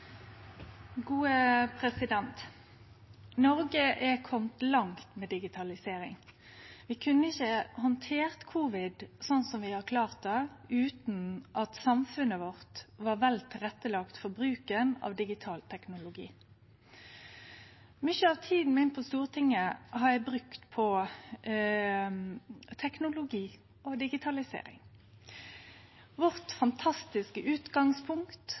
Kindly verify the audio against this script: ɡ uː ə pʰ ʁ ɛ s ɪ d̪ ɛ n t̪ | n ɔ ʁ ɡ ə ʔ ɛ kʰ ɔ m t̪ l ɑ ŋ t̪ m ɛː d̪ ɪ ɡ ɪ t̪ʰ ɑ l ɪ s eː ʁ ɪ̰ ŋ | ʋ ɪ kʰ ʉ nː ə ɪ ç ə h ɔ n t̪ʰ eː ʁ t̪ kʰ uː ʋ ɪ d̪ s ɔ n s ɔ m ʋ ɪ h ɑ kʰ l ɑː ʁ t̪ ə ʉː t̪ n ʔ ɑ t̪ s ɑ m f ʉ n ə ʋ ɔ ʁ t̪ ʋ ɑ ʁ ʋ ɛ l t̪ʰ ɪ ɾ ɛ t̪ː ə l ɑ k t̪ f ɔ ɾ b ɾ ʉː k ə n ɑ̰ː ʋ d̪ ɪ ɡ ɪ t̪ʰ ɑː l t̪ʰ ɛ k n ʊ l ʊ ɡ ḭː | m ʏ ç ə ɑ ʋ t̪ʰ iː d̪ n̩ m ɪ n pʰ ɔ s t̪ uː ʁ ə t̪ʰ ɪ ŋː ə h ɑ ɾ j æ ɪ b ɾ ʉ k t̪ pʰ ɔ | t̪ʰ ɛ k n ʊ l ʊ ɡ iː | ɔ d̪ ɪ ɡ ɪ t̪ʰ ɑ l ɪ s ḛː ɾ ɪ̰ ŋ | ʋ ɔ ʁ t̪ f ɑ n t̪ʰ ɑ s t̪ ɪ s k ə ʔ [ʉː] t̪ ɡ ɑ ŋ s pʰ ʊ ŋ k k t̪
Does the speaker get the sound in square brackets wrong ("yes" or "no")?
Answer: no